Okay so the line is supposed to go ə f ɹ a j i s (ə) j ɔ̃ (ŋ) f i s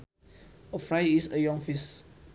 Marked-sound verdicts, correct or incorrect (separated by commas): correct, correct